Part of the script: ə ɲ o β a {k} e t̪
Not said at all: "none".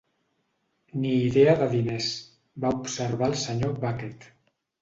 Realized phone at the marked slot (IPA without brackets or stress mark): k